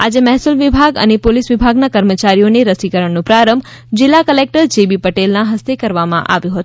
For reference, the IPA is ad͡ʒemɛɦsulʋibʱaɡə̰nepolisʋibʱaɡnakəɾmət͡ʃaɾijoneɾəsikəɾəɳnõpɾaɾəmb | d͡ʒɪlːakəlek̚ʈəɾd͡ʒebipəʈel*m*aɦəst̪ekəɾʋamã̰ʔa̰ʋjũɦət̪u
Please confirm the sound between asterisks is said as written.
no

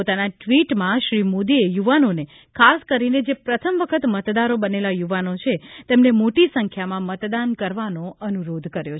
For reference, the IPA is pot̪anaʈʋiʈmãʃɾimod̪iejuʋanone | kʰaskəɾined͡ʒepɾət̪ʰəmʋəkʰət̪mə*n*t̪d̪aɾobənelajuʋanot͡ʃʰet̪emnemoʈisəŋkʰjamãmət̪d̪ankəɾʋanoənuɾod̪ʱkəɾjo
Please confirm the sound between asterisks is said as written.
no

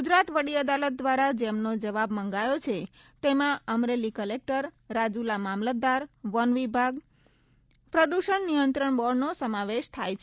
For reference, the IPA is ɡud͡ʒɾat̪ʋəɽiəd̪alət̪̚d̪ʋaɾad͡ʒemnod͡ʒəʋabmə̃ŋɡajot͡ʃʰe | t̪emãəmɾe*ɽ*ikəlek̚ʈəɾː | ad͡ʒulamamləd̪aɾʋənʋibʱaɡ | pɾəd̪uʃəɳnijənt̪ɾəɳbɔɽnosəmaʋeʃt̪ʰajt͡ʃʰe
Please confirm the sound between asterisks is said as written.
no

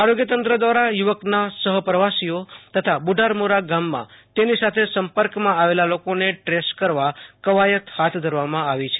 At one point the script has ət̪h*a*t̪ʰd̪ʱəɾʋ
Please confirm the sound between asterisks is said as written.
yes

